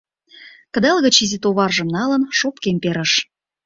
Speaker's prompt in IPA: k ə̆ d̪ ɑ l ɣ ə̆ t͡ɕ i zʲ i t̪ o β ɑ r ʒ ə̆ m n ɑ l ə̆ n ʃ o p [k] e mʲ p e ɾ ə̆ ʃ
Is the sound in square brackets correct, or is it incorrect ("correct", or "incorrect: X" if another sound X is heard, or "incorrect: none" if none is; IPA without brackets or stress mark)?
correct